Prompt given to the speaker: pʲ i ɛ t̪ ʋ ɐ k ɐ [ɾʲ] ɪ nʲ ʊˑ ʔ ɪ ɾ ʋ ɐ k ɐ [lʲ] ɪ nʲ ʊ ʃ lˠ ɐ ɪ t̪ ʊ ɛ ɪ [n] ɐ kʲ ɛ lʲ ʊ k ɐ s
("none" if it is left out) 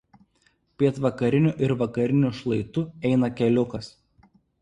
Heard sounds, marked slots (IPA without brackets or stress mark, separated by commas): ɾʲ, ɾʲ, n